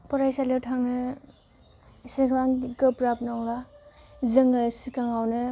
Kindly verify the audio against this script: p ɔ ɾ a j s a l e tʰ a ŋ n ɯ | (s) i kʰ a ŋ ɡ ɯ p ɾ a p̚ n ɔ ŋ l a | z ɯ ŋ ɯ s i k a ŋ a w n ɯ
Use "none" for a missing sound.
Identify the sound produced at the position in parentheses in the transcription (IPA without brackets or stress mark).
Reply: s